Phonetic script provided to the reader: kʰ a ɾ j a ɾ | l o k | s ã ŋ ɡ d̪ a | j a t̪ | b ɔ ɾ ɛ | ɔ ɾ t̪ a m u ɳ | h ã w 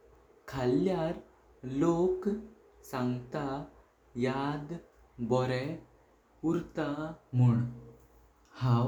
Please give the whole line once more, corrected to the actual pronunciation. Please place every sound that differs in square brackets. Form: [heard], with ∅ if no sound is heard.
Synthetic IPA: kʰ a [l] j a ɾ | l o k | s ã ŋ ɡ [t̪] a | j a [d̪] | b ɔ ɾ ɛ | [u] ɾ t̪ a m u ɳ | h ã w